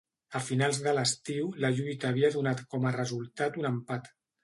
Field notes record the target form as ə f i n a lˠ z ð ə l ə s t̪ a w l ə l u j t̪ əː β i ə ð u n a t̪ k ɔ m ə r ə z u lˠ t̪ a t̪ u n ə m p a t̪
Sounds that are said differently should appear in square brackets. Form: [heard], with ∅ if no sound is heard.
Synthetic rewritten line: ə f i n a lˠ z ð ə l ə s t̪ [i] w l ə [ʎ] u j t̪ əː β i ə ð u n a t̪ k ɔ m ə r ə z u lˠ t̪ a t̪ u n ə m p a t̪